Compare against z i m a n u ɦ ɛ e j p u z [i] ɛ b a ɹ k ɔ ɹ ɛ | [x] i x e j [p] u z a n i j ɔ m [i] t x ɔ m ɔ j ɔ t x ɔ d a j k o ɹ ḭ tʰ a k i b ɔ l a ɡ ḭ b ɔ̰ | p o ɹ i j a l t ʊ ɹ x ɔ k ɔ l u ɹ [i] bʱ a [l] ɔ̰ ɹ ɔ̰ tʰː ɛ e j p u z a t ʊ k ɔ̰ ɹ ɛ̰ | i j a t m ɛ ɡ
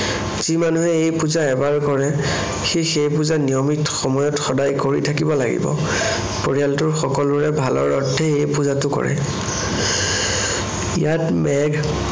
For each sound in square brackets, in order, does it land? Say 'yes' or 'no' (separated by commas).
no, yes, yes, yes, no, yes